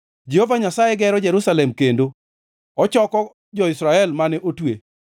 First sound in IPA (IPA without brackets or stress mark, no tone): d͡ʒ